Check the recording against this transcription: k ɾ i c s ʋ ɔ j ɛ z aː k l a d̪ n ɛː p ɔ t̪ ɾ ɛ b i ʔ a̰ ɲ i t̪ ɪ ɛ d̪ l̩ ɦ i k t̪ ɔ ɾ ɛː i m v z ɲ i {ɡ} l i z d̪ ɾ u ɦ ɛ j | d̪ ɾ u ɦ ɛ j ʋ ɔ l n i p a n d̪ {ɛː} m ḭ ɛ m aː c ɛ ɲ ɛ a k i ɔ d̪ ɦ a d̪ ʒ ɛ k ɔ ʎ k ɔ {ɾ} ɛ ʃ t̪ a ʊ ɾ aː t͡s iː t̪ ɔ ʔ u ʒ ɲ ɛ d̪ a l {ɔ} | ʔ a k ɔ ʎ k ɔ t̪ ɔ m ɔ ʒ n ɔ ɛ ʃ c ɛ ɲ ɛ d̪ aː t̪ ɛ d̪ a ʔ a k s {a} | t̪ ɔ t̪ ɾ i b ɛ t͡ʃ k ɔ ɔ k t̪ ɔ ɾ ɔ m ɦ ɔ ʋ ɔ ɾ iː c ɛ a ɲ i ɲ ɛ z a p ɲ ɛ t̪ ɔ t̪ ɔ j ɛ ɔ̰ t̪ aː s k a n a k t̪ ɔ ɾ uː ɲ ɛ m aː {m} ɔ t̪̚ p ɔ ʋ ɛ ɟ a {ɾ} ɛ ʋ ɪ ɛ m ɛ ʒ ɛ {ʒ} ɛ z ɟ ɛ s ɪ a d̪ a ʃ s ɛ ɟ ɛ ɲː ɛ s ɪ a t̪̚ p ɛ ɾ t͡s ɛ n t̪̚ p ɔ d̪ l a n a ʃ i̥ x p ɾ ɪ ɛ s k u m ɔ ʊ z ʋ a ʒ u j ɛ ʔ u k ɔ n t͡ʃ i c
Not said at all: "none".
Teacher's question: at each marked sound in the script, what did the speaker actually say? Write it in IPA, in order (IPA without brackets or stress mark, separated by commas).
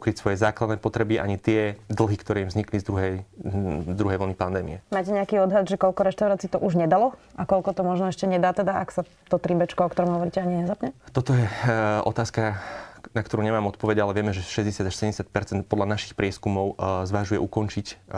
k, ɛː, ɾ, ɔ, a, m, l, ʃ